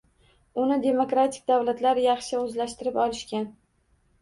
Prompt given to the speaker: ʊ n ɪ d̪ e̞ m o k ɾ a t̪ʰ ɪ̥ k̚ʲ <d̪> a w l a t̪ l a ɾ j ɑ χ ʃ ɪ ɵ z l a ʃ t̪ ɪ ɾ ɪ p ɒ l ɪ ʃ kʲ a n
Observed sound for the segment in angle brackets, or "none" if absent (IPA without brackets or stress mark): d̪